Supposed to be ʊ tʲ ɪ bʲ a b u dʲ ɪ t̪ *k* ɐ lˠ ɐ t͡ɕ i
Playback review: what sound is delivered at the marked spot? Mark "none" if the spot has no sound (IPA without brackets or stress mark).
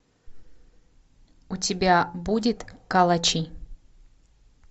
k